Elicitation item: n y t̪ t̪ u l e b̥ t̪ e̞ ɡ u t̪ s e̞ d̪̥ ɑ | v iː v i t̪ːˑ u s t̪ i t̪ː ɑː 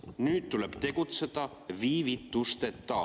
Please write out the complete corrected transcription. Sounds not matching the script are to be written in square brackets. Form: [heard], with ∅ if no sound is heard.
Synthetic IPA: n [yː] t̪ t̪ u l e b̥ t̪ e̞ ɡ u t̪ s e̞ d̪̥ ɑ | v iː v i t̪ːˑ u s t̪ [e] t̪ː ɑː